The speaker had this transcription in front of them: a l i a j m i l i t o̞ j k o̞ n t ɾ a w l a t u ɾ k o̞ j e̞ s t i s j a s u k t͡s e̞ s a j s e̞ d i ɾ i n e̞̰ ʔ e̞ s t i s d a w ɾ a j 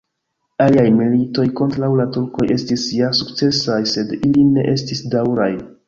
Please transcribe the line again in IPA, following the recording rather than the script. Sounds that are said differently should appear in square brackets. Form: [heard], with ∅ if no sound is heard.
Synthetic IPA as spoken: a l i a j m i l i t o̞ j k o̞ n t ɾ a w l a t u ɾ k o̞ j e̞ s t i s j a s u k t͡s e̞ s a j s e̞ d i [l] i n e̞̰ ʔ e̞ s t i s d a w ɾ a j

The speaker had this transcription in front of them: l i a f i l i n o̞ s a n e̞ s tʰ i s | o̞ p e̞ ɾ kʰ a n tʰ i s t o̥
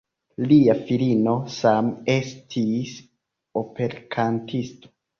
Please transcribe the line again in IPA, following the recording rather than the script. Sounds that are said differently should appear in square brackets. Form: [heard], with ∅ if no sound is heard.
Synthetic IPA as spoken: l i a f i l i n o̞ s a [m] e̞ s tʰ i s | o̞ p e̞ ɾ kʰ a n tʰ i s t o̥

